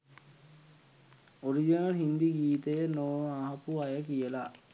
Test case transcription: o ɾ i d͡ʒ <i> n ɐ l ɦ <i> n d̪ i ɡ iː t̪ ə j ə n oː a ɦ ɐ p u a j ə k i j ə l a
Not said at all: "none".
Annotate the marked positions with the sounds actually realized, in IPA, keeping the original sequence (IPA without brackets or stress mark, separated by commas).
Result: i, i